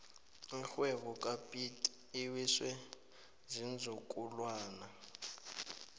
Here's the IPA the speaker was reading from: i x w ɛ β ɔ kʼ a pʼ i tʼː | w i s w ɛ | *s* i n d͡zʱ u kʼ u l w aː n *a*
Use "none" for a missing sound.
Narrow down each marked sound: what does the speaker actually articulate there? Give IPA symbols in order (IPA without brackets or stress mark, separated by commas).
z, a